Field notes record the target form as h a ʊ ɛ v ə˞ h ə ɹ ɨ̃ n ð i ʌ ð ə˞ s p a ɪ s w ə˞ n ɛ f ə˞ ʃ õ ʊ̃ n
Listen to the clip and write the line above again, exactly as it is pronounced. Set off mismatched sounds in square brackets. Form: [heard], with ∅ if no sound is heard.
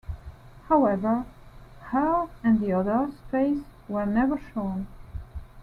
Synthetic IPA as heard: h a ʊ ɛ v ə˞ h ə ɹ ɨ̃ n ð i ʌ ð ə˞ s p [e] ɪ s w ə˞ n ɛ [v] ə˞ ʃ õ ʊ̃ n